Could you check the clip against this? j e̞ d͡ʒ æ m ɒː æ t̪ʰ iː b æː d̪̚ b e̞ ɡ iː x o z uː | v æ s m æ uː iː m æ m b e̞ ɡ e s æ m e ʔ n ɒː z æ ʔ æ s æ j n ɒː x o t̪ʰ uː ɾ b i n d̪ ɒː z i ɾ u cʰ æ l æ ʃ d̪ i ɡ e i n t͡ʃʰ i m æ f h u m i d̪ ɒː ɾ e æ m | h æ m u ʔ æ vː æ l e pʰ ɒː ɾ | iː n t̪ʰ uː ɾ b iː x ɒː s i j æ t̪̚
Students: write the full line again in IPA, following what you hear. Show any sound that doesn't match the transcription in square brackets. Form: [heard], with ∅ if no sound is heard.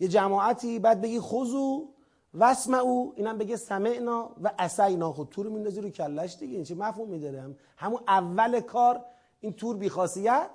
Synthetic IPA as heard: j e̞ d͡ʒ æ m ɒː æ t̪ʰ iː b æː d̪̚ b e̞ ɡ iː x o z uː | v æ s m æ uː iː [n] æ m b e̞ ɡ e s æ m e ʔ n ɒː [v] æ ʔ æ s æ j n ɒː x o t̪ʰ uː ɾ [m] i n d̪ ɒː z i ɾ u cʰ æ [lː] æ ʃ d̪ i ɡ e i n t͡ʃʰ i m æ f h u m i d̪ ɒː ɾ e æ m | h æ m u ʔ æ vː æ l e [kʰ] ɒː ɾ | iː n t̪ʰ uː ɾ b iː x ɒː s i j æ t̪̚